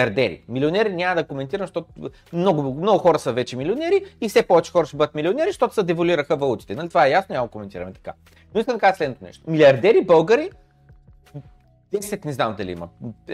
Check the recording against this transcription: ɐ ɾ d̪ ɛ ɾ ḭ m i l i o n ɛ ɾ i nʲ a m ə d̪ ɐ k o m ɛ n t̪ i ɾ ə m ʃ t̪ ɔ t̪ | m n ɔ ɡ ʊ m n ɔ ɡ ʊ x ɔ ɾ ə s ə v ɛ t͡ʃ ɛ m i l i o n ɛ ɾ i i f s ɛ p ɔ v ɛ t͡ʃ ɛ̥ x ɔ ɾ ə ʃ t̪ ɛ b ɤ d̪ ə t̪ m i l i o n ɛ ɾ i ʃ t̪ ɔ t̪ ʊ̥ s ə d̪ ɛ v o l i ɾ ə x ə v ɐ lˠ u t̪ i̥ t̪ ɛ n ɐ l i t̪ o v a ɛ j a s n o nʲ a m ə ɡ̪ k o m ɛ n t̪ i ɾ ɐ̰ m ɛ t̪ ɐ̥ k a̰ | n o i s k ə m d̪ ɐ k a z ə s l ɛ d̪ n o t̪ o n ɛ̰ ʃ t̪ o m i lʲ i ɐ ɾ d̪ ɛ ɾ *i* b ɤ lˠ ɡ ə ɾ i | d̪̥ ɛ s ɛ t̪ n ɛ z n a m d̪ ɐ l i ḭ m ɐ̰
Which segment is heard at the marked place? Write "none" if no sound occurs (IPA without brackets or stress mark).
i